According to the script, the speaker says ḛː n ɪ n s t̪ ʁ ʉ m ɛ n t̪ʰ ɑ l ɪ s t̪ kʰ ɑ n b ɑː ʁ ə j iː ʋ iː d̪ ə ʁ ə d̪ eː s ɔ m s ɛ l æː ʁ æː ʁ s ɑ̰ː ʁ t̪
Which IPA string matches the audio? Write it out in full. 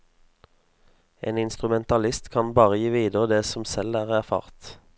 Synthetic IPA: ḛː n ɪ n s t̪ ʁ ʉ m ɛ n t̪ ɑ l ɪ s t̪ kʰ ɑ n b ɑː ʁ ə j iː ʋ iː d̪ ə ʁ ə d̪ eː s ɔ m s ɛ l æː ʁ æ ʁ f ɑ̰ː ʁ t̪